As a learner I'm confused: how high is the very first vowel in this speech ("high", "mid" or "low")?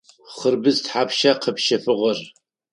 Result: mid